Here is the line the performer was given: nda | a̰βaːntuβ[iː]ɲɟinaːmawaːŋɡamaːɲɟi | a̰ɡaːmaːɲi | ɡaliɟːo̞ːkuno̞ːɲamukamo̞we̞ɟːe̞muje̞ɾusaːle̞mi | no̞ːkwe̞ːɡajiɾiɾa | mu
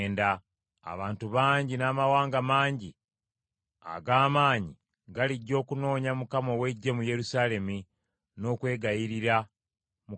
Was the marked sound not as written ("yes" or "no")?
yes